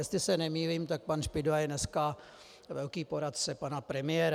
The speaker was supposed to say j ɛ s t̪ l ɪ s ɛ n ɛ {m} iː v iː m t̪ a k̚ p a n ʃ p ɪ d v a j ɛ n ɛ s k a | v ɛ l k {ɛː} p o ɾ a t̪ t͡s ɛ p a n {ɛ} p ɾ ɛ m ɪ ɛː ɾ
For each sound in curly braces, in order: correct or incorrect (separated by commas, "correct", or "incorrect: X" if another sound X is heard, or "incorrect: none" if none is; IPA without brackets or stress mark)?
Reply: correct, incorrect: iː, incorrect: a